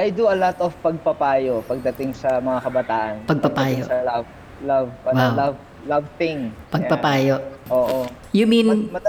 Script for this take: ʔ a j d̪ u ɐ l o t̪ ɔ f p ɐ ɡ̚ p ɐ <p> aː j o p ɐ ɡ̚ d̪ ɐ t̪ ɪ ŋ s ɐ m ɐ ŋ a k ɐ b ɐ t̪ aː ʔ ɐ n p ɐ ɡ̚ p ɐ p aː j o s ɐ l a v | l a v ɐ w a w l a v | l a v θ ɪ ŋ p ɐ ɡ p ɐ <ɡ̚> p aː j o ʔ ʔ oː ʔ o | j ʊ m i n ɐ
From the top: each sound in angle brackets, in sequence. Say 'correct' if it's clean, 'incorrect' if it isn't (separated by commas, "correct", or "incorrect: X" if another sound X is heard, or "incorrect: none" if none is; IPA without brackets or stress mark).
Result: correct, incorrect: none